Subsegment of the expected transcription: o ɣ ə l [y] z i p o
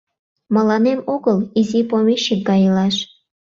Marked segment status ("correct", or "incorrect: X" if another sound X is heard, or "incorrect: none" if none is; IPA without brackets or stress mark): incorrect: i